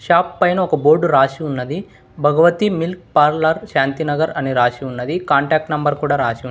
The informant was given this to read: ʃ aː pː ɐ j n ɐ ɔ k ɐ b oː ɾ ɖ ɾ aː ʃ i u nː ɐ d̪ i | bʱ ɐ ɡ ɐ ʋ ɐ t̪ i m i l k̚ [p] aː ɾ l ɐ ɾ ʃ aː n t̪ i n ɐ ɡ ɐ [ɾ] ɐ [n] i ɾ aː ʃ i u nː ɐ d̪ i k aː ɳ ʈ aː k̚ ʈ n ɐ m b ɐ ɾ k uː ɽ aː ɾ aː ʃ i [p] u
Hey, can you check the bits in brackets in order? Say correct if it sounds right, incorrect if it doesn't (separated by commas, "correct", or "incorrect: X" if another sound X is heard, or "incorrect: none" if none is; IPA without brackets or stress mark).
correct, correct, correct, incorrect: none